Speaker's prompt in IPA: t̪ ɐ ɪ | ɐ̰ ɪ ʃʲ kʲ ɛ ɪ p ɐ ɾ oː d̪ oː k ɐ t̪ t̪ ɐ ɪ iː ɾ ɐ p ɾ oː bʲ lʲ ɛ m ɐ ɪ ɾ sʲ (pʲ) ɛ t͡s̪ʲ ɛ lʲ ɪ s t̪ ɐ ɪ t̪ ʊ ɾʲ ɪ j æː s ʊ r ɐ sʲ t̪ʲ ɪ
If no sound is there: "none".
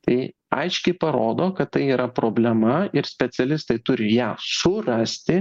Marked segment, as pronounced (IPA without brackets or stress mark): pʲ